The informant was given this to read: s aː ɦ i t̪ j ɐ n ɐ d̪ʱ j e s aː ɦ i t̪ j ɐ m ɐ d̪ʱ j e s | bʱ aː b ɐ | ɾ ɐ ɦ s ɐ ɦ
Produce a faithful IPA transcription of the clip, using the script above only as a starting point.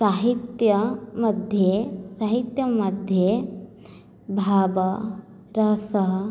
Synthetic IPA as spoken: s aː ɦ i t̪ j ɐ m ɐ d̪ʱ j e s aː ɦ i t̪ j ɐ m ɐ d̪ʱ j e | bʱ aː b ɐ | ɾ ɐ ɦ s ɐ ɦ